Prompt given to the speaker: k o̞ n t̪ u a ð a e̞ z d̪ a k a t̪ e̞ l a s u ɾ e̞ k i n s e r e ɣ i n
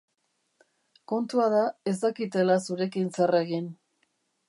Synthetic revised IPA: k o̞ n t̪ u a ð a e̞ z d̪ a k i t̪ e̞ l a s u ɾ e̞ k i n s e r e ɣ i n